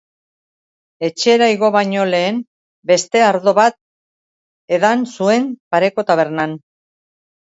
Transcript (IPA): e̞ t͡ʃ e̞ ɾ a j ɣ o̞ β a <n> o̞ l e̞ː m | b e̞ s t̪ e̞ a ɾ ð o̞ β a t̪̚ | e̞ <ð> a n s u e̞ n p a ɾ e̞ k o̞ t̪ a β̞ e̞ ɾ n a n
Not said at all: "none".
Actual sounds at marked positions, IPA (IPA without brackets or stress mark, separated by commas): ɲ, ð